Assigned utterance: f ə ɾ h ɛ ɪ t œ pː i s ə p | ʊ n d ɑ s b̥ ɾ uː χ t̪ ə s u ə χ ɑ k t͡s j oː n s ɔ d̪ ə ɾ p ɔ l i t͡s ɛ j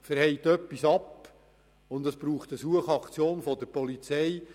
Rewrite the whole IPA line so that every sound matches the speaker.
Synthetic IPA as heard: f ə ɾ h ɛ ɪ t œ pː i s ɑ p | ʊ n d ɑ s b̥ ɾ uː χ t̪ ə s u ə χ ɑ k t͡s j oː n f ɔ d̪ ə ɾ p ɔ l i t͡s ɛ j